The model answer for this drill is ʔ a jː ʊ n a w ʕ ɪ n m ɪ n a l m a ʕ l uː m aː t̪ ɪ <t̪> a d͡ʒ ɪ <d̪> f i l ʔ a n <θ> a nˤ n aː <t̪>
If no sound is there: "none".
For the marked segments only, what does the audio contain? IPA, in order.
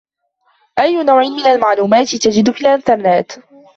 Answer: t̪, d̪, θ, t̪

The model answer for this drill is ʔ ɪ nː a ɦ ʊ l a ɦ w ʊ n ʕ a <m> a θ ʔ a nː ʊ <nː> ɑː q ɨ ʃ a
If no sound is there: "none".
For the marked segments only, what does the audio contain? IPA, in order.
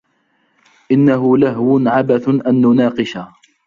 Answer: b, n

